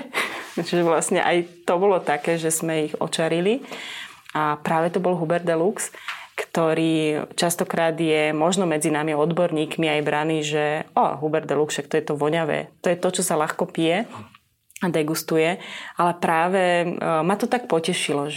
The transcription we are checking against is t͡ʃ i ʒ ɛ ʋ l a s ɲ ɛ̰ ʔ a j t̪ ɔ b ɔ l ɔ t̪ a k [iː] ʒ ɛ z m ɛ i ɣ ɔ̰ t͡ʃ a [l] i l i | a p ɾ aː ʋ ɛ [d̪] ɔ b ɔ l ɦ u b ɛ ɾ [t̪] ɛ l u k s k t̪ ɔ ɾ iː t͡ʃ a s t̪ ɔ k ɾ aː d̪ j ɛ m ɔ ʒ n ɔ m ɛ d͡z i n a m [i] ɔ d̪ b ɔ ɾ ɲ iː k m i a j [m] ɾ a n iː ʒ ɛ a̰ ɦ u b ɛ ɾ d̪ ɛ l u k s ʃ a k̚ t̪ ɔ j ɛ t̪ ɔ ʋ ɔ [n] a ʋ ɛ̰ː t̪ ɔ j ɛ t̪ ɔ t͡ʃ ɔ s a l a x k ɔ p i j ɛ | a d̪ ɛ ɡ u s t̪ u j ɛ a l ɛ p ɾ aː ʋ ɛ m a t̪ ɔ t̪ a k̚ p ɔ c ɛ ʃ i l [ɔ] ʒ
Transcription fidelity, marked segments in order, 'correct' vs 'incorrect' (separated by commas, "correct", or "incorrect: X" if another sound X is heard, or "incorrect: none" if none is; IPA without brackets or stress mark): incorrect: ɛː, incorrect: ɾ, incorrect: t̪, incorrect: d̪, correct, incorrect: b, incorrect: ɲ, correct